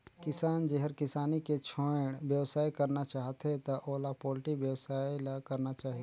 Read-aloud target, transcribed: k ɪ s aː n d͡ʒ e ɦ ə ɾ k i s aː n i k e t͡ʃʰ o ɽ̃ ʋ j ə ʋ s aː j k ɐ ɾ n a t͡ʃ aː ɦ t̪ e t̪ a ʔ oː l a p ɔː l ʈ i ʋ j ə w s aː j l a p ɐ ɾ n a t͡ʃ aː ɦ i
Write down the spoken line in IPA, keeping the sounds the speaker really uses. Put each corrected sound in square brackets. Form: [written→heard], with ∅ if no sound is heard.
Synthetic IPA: k ɪ s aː n d͡ʒ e ɦ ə ɾ k [i→ɪ] s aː n i k e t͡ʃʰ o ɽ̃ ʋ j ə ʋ s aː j k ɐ ɾ n a t͡ʃ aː ɦ t̪ e t̪ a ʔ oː l a p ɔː l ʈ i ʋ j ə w s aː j l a [p→k] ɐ ɾ n a t͡ʃ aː ɦ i